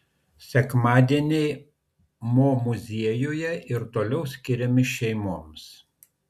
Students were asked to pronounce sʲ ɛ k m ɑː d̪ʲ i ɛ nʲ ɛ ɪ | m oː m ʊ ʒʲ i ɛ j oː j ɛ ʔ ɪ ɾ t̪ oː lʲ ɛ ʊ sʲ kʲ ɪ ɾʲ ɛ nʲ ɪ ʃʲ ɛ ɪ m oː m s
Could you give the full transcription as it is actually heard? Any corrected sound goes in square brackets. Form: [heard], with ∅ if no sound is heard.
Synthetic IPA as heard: sʲ ɛ k m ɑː d̪ʲ i ɛ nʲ ɛ ɪ | m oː m ʊ [zʲ] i ɛ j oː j ɛ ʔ ɪ ɾ t̪ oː lʲ ɛ ʊ sʲ kʲ ɪ ɾʲ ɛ [mʲ] ɪ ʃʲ ɛ ɪ m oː m s